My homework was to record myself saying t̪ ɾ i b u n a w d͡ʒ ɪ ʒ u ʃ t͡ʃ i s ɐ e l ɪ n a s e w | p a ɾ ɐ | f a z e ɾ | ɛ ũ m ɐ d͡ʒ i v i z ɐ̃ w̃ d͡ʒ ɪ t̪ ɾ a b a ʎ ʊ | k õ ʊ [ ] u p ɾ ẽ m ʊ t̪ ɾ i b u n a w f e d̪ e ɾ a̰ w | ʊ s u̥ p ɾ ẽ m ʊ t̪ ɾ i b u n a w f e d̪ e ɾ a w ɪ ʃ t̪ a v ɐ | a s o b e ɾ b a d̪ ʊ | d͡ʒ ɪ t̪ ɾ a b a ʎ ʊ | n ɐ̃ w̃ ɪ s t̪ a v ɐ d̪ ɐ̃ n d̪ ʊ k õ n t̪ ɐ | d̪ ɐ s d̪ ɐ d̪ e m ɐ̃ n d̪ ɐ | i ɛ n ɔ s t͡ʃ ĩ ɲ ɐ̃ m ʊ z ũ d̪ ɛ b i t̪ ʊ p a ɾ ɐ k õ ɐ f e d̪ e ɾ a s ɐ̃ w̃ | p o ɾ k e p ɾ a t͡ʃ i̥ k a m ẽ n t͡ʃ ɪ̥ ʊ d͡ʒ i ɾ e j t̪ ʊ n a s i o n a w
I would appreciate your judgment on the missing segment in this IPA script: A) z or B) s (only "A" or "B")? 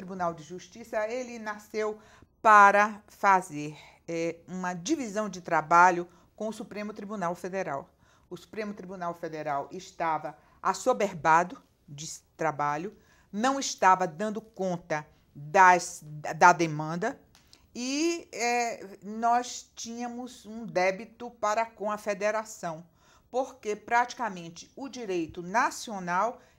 B